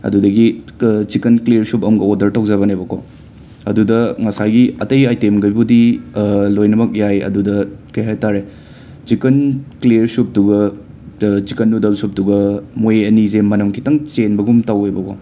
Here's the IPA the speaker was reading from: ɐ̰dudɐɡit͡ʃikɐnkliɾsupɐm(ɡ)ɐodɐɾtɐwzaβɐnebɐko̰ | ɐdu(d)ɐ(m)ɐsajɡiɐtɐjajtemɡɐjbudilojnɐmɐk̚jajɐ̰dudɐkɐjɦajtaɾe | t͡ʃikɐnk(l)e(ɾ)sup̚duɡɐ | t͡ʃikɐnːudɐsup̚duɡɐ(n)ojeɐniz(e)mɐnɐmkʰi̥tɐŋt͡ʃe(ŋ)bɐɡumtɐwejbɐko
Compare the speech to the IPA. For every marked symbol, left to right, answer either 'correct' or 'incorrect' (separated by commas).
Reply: correct, correct, incorrect, correct, correct, incorrect, correct, incorrect